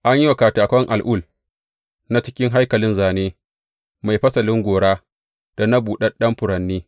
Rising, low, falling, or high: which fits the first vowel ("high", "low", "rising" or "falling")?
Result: high